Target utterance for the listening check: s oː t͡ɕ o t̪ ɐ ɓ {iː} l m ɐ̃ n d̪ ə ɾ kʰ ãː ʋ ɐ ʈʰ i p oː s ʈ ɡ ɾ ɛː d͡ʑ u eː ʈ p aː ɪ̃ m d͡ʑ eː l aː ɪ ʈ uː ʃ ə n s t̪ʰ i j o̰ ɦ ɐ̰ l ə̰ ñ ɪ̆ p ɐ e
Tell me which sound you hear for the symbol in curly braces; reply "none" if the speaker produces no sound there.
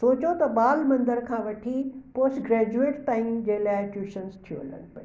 aː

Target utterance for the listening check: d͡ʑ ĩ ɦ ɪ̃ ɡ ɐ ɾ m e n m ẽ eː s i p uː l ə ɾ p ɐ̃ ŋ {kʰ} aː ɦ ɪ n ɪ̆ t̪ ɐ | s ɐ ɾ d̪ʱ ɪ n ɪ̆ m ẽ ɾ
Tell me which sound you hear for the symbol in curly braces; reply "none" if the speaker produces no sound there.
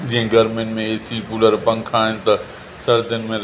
kʰ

